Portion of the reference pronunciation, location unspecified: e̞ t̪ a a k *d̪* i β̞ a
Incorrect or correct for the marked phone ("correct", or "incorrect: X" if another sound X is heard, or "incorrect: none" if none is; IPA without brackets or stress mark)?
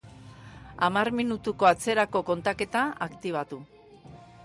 incorrect: t̪